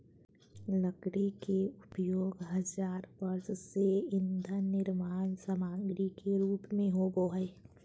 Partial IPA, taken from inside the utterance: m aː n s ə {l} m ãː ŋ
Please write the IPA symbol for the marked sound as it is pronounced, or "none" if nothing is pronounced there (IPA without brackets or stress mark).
none